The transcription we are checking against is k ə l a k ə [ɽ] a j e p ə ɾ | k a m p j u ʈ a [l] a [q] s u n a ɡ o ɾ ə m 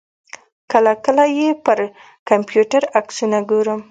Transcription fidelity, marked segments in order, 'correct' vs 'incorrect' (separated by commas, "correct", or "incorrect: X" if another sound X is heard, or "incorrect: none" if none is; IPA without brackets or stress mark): incorrect: l, incorrect: ɾ, incorrect: k